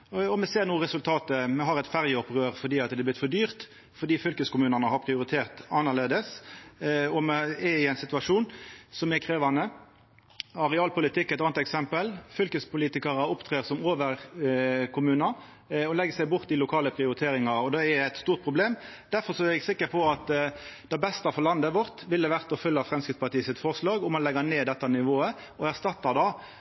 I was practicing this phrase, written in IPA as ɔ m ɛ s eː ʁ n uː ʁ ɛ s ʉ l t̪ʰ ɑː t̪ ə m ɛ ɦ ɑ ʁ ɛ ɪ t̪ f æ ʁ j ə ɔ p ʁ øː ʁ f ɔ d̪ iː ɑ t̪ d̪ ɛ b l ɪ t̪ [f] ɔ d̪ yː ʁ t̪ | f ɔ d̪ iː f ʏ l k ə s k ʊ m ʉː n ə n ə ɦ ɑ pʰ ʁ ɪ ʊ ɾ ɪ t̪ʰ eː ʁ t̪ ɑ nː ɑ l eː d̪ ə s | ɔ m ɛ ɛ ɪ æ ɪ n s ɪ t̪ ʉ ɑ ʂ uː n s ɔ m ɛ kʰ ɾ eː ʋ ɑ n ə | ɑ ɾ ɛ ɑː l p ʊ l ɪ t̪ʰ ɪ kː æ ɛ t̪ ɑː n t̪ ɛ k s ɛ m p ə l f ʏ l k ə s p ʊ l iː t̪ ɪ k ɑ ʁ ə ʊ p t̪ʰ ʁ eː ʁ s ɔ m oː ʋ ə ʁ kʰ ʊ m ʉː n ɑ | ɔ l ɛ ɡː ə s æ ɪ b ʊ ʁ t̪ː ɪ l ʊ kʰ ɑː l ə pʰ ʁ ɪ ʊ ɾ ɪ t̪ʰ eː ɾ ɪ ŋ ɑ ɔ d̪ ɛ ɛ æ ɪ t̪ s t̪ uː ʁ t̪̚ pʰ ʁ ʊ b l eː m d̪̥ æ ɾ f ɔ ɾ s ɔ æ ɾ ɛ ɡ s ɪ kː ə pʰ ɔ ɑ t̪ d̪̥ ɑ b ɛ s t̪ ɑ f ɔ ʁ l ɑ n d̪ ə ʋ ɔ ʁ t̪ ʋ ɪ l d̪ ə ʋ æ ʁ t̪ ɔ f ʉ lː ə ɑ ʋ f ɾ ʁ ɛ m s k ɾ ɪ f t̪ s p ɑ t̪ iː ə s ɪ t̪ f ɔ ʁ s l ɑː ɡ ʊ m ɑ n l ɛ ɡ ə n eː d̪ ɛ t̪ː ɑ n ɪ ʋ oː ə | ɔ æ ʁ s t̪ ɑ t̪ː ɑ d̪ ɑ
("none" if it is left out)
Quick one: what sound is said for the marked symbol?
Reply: f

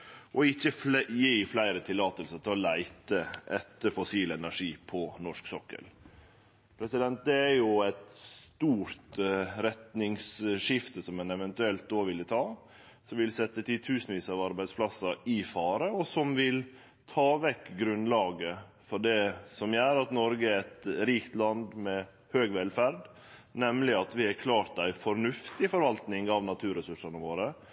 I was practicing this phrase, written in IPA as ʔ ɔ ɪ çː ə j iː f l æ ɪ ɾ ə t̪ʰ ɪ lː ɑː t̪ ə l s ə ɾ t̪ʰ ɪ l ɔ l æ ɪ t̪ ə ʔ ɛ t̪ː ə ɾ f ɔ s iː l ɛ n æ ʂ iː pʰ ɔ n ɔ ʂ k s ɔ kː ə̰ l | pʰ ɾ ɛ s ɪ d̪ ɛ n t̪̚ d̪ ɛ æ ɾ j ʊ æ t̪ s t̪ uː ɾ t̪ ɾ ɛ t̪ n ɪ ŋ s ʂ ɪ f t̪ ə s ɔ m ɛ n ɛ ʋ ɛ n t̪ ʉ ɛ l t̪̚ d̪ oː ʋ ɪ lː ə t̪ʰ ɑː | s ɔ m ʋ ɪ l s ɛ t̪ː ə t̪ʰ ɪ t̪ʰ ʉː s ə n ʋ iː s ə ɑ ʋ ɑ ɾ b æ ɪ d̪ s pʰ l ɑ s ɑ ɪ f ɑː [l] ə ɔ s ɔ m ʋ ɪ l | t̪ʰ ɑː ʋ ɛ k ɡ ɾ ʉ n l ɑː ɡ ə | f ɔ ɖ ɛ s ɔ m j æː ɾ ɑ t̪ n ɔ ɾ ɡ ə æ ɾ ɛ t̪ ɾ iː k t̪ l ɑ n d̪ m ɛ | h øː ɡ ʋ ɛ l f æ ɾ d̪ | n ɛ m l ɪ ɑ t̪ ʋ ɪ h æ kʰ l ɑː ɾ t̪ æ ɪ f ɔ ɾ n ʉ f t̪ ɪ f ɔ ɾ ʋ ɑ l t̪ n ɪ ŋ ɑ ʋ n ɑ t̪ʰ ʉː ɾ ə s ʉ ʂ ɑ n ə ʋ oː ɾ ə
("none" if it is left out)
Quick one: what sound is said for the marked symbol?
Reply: ɾ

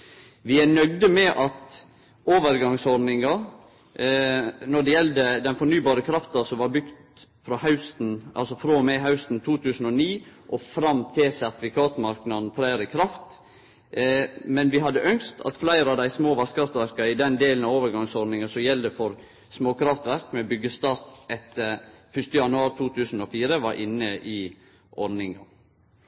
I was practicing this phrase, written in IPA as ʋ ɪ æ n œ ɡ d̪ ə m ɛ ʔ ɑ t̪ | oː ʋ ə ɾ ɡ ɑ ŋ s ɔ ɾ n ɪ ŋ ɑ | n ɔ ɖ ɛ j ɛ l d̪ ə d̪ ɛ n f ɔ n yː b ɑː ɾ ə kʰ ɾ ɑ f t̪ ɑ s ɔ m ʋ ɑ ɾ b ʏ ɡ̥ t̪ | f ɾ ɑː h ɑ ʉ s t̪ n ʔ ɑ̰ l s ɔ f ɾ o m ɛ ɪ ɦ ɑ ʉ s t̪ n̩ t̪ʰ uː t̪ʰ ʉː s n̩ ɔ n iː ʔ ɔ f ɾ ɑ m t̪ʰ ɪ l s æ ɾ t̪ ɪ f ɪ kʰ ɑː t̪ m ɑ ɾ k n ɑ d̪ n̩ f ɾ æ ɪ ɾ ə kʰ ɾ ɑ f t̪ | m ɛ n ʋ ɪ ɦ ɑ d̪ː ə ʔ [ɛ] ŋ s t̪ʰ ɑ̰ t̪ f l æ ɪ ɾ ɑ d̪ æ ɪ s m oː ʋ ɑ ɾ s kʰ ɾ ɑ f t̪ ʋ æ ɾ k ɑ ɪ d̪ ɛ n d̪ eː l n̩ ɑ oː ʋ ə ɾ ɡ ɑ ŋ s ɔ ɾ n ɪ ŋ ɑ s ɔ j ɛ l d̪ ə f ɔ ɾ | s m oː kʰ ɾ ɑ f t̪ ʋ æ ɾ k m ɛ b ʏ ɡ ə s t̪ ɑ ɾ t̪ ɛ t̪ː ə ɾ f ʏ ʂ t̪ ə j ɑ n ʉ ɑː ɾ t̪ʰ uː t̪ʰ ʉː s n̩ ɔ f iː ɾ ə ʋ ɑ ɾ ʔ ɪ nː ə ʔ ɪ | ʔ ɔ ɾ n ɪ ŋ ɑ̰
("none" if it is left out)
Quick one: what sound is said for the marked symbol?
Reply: œ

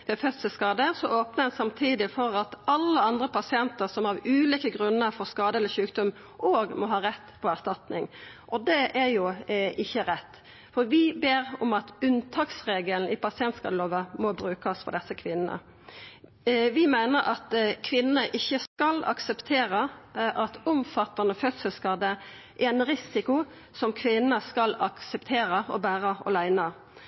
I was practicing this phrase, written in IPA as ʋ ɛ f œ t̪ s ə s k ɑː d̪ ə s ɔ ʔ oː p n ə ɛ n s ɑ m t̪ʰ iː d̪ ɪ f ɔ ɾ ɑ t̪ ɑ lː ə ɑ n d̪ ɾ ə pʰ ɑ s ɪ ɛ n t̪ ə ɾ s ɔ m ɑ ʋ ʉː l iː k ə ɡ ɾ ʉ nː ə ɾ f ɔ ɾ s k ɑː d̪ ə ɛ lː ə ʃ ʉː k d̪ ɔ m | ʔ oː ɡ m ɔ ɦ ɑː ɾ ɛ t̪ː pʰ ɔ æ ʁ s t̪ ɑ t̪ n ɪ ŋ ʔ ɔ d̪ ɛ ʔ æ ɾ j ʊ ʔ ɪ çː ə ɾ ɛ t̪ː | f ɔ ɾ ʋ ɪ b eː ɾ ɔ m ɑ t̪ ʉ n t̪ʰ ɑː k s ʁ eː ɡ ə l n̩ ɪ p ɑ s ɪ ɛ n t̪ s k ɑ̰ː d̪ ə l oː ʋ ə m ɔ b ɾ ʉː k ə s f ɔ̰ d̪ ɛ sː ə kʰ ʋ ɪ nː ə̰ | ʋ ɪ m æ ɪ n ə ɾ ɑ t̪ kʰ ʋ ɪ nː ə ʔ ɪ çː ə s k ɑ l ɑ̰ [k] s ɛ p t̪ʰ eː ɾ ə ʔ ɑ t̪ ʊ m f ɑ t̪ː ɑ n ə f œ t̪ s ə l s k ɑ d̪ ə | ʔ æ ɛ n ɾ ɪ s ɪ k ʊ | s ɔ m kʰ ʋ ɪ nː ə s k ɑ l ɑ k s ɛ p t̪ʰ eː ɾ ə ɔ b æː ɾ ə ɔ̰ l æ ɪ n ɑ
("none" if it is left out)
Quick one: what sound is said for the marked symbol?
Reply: k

